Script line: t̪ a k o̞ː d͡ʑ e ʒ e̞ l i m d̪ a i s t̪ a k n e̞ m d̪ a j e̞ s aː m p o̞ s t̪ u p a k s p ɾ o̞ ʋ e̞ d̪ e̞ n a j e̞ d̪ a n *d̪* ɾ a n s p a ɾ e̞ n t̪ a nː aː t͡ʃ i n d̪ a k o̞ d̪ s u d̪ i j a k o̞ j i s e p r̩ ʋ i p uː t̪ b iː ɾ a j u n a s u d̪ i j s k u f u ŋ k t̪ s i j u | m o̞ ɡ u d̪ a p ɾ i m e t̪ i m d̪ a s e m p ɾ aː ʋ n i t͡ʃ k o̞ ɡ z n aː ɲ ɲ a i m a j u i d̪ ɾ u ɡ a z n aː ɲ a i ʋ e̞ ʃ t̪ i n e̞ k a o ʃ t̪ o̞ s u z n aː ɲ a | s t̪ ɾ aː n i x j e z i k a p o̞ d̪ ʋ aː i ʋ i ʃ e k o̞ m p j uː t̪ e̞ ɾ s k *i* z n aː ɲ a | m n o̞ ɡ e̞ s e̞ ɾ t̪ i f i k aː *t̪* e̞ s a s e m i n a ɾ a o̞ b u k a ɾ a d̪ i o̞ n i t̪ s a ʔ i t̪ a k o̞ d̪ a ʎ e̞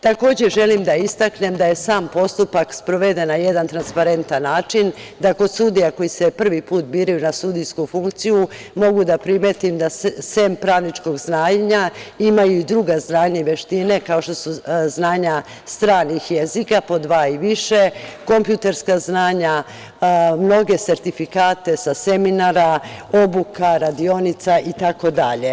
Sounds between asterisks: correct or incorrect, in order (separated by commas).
incorrect, incorrect, correct